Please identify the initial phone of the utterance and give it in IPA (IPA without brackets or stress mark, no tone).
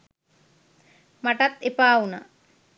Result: m